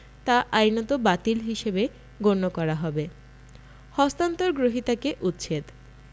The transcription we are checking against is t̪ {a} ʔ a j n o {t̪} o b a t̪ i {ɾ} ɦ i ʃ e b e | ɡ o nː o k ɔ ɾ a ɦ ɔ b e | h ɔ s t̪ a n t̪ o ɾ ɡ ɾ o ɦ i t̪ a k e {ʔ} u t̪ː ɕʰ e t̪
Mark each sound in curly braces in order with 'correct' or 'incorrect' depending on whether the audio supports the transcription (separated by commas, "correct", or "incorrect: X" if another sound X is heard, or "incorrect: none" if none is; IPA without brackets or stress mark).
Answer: correct, correct, incorrect: l, correct